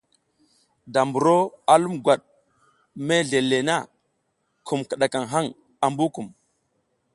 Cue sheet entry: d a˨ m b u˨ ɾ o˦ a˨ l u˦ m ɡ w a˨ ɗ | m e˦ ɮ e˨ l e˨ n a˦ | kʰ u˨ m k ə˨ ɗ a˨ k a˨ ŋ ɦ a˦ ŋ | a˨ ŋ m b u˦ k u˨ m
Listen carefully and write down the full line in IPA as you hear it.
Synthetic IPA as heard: d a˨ m b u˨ ɾ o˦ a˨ l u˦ m ɡ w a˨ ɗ | m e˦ ɮ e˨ l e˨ n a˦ | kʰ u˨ m k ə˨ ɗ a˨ k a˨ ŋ ɦ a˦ ŋ | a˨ m b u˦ k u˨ m